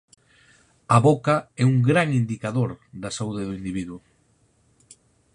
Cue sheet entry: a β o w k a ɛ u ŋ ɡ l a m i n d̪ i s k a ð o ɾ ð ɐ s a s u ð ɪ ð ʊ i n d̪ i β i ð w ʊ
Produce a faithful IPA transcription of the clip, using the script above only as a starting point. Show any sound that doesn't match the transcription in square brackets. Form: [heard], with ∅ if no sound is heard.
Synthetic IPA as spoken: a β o [∅] k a ɛ u ŋ ɡ [ɾ] a [ŋ] i n d̪ i [∅] k a ð o ɾ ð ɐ s a [∅] u ð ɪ ð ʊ i n d̪ i β i ð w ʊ